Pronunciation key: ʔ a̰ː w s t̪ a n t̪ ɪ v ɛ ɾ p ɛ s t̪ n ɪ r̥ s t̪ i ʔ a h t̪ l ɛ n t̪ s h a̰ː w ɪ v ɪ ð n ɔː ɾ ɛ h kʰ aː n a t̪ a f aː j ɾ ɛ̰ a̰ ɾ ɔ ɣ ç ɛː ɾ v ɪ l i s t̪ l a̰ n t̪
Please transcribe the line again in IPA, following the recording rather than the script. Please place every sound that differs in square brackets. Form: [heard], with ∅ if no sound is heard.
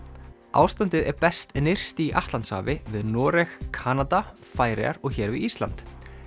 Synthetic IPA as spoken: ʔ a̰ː w s t̪ a n t̪ ɪ [ð] ɛ ɾ p ɛ s t̪ n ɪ r̥ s t̪ i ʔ a h t̪ l [a] n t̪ s h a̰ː [v] ɪ v ɪ ð n ɔː ɾ ɛ [x] kʰ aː n a t̪ a f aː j ɾ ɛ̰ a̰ ɾ ɔ ɣ ç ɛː ɾ v ɪ [∅] i s t̪ l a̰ n t̪